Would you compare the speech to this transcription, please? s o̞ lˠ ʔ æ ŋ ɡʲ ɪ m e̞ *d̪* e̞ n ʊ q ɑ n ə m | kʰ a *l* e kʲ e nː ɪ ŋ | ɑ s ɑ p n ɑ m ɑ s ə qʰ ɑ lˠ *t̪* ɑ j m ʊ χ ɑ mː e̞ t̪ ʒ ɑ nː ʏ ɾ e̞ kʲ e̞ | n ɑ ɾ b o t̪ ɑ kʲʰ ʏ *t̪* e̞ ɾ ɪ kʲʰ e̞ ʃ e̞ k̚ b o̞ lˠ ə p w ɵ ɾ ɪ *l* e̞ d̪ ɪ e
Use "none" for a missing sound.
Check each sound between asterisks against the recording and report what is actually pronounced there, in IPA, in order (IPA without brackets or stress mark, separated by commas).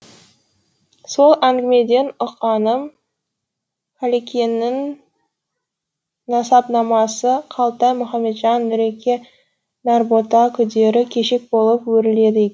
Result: d̪, l, t̪, d̪, l